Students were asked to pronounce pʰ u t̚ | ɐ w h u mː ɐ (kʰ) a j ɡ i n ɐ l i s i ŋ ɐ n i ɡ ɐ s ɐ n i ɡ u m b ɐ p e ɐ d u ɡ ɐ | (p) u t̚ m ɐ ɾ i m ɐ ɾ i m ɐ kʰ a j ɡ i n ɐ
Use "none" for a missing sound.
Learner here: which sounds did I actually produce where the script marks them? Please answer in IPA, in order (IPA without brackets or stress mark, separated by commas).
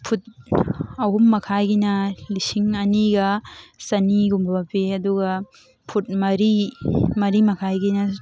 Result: kʰ, pʰ